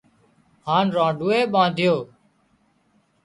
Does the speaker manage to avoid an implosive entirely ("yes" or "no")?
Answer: no